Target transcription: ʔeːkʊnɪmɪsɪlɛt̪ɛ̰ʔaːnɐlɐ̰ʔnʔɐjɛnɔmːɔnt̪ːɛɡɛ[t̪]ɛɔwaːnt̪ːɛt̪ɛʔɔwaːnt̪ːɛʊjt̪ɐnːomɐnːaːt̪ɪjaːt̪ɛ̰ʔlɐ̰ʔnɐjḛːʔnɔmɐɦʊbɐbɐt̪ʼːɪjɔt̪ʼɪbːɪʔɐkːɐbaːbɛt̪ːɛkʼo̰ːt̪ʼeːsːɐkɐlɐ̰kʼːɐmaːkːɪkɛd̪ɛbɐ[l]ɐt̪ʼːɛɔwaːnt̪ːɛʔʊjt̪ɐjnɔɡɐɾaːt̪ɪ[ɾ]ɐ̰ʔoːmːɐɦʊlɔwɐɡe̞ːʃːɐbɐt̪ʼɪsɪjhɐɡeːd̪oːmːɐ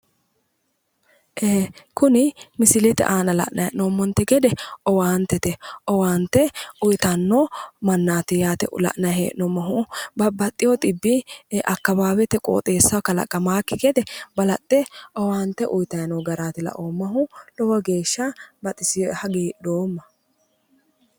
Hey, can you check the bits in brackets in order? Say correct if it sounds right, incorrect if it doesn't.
incorrect: d̪, correct, incorrect: l

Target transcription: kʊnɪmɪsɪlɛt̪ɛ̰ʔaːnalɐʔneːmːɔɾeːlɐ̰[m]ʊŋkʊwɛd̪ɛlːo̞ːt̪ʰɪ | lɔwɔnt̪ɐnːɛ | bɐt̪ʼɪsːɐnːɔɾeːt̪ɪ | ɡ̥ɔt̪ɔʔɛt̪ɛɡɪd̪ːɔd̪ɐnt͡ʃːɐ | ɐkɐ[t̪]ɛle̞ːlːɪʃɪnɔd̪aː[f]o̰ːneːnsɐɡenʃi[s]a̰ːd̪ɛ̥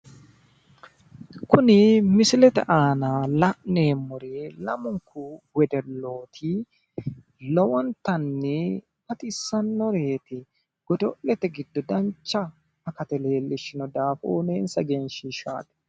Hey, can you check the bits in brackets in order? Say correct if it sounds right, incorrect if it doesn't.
correct, correct, correct, incorrect: ʃ

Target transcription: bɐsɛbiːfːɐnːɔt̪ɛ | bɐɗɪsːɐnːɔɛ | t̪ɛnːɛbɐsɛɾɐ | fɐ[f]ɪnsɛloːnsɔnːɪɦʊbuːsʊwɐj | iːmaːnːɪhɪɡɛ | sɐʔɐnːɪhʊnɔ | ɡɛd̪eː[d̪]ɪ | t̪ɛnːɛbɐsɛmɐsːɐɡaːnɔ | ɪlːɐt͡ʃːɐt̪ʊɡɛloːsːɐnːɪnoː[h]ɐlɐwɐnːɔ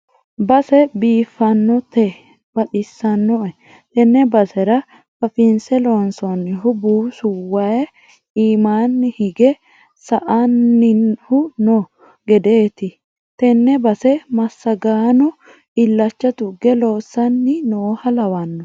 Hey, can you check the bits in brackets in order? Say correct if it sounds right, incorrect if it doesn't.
correct, incorrect: t̪, correct

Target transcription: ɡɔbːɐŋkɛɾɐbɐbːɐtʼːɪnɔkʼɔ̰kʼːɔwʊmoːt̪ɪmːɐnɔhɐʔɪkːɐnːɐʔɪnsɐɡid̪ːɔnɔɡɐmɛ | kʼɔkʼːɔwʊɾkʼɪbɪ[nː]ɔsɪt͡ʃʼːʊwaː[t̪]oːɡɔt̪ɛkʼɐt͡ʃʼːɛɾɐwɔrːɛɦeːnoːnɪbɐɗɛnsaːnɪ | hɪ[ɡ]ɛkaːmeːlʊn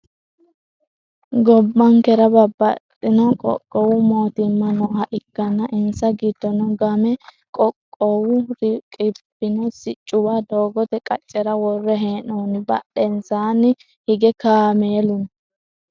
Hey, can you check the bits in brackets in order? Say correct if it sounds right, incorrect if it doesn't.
incorrect: n, incorrect: d̪, correct

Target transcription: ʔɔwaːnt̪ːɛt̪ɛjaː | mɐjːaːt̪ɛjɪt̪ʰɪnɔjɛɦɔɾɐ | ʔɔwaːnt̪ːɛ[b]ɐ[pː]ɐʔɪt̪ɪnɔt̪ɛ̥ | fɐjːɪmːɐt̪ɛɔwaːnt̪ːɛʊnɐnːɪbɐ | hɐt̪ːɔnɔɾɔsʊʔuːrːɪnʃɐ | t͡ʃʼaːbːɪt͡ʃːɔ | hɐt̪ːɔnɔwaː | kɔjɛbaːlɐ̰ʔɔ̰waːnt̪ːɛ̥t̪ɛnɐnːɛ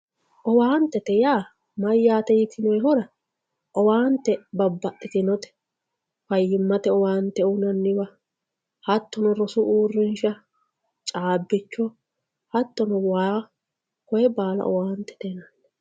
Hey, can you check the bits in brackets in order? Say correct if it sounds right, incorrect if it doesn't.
correct, incorrect: bː

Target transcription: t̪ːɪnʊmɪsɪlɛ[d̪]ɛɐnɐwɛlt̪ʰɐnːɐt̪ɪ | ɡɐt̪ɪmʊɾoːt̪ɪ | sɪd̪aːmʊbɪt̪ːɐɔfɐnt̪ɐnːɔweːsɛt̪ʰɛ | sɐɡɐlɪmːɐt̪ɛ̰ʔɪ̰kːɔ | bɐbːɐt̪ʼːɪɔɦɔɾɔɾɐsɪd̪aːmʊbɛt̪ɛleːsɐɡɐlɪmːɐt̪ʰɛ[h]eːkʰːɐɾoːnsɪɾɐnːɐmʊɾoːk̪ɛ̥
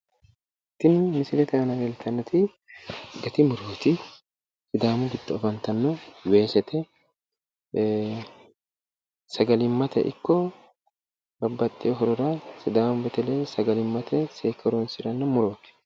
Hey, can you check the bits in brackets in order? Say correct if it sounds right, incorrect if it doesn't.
incorrect: t̪, incorrect: s

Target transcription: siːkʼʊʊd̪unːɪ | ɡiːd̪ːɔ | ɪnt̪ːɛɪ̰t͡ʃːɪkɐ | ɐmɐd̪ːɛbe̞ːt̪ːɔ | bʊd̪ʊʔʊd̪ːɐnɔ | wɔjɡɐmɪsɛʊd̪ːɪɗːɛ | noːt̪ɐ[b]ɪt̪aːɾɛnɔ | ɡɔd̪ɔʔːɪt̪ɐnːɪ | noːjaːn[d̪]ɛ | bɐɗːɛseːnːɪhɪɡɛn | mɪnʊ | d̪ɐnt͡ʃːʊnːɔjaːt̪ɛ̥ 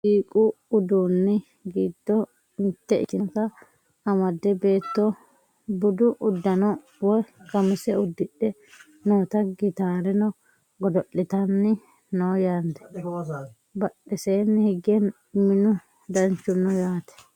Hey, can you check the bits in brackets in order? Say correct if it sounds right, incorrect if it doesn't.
incorrect: ɡ, correct

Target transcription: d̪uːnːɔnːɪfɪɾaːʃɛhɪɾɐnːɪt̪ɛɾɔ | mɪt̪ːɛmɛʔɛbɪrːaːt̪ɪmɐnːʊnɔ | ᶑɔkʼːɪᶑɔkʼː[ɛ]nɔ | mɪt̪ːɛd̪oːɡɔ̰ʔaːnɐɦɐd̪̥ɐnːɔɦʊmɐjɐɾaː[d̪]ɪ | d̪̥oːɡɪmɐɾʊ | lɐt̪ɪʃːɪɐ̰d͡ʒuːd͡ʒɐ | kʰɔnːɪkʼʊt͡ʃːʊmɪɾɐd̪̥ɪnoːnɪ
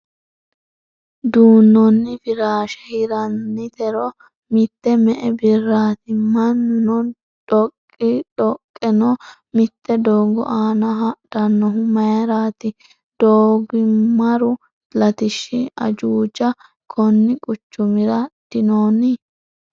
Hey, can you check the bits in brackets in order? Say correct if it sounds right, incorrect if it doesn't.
correct, incorrect: t̪

